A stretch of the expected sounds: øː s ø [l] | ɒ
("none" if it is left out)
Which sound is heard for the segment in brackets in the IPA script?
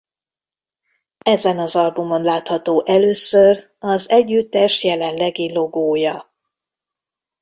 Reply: r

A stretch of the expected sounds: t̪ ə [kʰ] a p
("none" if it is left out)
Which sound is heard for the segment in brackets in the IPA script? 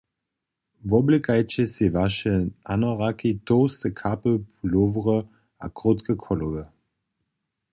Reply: kʰ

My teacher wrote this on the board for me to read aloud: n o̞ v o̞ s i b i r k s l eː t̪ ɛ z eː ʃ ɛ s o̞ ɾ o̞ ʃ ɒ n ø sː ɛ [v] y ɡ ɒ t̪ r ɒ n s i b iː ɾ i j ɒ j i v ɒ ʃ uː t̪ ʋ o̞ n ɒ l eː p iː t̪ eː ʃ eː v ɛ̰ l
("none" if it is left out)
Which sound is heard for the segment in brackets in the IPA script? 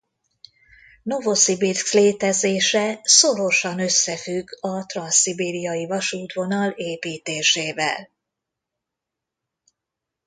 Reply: f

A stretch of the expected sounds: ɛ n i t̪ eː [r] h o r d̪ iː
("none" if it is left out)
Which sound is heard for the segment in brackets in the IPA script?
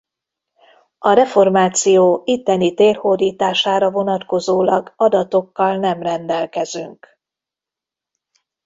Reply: r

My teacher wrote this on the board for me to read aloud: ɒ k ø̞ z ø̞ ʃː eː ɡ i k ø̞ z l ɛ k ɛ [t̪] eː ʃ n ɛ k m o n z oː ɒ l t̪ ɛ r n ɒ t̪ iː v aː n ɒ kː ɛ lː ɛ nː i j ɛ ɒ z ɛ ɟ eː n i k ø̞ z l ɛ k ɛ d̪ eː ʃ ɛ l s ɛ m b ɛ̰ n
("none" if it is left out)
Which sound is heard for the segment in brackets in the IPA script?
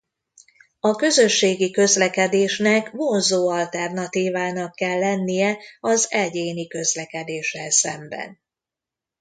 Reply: d̪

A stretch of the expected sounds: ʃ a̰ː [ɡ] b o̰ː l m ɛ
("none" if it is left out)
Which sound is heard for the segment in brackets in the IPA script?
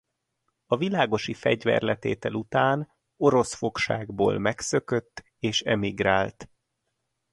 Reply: ɡ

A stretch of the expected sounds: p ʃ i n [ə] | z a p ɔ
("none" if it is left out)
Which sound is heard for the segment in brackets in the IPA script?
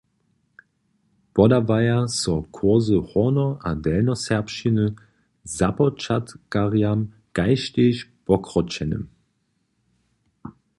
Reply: ə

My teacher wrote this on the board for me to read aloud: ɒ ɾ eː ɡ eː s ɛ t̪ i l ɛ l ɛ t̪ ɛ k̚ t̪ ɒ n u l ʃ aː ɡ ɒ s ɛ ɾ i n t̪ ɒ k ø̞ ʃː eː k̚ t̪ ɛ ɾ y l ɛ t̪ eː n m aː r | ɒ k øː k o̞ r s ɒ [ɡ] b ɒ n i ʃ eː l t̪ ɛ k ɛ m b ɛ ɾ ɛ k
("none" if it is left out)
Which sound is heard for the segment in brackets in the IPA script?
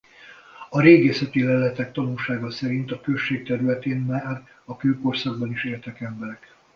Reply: ɡ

